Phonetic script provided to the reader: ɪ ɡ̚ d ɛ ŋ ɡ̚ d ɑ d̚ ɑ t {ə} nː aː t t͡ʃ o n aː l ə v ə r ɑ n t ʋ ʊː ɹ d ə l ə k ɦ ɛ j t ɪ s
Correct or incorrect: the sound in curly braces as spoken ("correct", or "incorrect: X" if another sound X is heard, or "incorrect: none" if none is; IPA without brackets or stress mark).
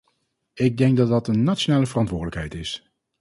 correct